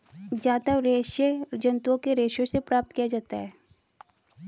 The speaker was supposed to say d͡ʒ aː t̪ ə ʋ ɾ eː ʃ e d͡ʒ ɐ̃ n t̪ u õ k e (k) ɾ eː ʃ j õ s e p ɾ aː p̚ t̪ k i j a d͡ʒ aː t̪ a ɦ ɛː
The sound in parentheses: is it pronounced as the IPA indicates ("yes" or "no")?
no